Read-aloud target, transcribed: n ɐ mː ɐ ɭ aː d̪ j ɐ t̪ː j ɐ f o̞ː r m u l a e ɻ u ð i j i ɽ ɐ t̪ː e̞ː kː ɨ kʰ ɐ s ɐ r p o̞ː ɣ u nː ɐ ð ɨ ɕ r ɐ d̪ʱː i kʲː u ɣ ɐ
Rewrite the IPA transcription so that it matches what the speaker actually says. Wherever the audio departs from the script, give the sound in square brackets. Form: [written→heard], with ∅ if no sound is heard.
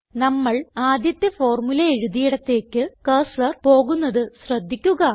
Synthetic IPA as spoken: n ɐ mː ɐ ɭ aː d̪ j ɐ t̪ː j ɐ f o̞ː r m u l [a→ɐ] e ɻ u ð i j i ɽ ɐ t̪ː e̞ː kː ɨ [kʰ→k] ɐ s ɐ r p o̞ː ɣ u nː ɐ ð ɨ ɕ r ɐ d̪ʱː i kʲː u ɣ ɐ